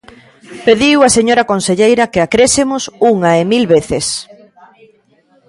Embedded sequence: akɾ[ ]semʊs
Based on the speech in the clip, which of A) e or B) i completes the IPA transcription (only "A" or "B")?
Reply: A